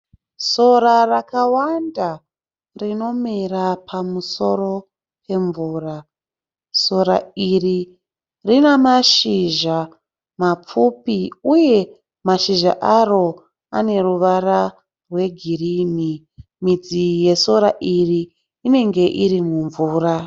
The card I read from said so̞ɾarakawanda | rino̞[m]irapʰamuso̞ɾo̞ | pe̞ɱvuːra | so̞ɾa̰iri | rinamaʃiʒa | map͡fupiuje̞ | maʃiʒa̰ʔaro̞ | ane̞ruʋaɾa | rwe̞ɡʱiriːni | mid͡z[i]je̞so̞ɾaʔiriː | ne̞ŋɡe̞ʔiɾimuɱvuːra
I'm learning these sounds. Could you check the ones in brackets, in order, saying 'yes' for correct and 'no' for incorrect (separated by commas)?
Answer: yes, yes